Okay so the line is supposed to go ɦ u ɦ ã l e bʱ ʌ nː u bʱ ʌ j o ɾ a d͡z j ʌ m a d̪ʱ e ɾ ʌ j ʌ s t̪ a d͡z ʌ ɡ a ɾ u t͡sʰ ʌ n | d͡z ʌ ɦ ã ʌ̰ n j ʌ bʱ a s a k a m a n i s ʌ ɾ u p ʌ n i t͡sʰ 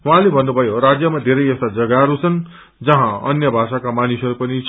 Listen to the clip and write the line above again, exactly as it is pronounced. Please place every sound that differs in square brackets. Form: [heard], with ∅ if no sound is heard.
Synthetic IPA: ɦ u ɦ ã l e bʱ ʌ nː u bʱ ʌ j o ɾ a d͡z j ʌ m a d̪ʱ e ɾ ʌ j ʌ s t̪ a d͡z ʌ ɡ a ɾ u t͡sʰ ʌ n | d͡z ʌ ɦ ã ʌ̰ n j ʌ bʱ a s a k a m a n i s ʌ ɾ u p ʌ n i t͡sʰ

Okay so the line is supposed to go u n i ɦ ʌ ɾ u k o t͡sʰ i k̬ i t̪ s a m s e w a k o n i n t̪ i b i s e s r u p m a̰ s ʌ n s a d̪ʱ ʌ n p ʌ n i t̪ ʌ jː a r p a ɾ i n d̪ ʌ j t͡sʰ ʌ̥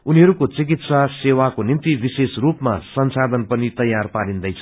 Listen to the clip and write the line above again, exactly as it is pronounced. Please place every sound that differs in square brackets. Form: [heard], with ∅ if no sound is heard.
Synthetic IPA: u n i ɦ ʌ ɾ u k o [t͡s] i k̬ i t̪ s a [∅] s e w a k o n i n t̪ i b i s e s r u p m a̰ s ʌ n s a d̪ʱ ʌ n p ʌ n i t̪ ʌ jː a r p a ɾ i n d̪ ʌ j t͡sʰ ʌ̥

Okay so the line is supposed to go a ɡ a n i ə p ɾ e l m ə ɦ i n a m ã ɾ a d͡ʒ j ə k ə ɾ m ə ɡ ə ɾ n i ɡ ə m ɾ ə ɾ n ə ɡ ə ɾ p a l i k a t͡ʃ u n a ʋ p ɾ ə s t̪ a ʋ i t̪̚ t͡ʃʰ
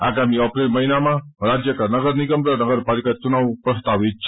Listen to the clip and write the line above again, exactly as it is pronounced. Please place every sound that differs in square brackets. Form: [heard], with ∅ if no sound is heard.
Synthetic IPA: a ɡ a [m] i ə p ɾ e l m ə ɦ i n a m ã ɾ a d͡ʒ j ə k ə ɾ [n] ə ɡ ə ɾ n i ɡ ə m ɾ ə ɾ n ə ɡ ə ɾ p a l i k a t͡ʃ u n a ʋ p ɾ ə s t̪ a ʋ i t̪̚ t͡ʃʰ

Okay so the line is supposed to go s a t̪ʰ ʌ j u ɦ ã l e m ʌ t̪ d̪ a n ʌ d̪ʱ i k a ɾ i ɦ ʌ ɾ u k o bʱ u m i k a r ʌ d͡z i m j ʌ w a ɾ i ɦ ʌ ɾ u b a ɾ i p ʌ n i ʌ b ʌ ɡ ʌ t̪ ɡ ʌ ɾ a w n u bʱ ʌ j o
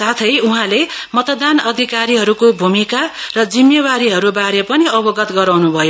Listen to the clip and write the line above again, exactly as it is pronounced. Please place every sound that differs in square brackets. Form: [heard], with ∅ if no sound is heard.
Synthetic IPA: s a t̪ʰ ʌ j u ɦ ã l e m ʌ t̪ d̪ a n ʌ d̪ʱ i k a ɾ i ɦ ʌ ɾ u k o bʱ u m i k a r ʌ d͡z i m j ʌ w a ɾ i ɦ ʌ ɾ u b a ɾ [e] p ʌ n i ʌ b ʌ ɡ ʌ t̪ ɡ ʌ ɾ a w n u bʱ ʌ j o

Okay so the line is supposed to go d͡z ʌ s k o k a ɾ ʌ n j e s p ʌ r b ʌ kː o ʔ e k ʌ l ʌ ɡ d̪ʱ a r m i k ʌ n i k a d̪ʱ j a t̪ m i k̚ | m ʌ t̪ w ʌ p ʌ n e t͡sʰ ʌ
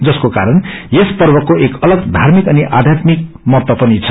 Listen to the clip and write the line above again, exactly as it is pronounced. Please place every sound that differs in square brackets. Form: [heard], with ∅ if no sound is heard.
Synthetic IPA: d͡z ʌ s k o k a ɾ ʌ n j e s p ʌ r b ʌ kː o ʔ e k ʌ l ʌ ɡ d̪ʱ a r m i k ʌ n i [ʔ] a d̪ʱ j a t̪ m i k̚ | m ʌ t̪ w ʌ p ʌ n [i] t͡sʰ ʌ

